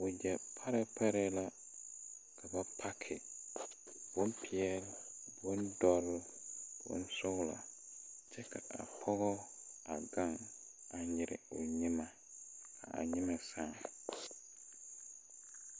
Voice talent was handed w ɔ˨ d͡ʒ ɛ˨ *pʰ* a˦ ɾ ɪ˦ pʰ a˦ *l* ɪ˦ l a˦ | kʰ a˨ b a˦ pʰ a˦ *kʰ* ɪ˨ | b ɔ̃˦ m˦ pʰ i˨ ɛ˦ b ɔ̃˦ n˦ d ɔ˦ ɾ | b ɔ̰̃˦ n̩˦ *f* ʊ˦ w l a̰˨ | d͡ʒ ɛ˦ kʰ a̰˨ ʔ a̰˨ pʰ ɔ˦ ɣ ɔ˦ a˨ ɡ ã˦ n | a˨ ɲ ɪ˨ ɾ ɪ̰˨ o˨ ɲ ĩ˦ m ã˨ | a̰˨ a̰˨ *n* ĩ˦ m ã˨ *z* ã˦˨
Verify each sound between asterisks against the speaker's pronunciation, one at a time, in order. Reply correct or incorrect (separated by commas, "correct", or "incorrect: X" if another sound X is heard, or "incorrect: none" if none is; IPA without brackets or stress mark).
correct, incorrect: ɾ, correct, incorrect: s, incorrect: ɲ, incorrect: s